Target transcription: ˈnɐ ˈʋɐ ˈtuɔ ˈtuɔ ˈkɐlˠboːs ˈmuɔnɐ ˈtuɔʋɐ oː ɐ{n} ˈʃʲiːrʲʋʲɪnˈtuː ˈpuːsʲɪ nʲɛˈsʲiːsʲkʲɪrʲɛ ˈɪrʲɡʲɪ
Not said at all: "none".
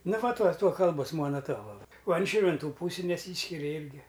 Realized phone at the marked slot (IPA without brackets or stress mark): n